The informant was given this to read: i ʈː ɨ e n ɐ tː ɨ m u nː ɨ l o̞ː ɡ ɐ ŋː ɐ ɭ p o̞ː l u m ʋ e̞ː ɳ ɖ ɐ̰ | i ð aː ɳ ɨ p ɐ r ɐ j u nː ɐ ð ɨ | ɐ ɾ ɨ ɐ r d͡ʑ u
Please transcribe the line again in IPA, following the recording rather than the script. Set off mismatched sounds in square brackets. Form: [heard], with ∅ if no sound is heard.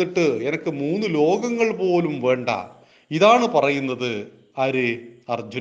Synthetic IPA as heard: i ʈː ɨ e n ɐ [kː] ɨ m [uː] nː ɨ l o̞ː ɡ ɐ ŋː ɐ ɭ p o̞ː l u m ʋ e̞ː ɳ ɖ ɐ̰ | i ð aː ɳ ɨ p ɐ r ɐ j u nː ɐ ð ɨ | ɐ ɾ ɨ ɐ r d͡ʑ u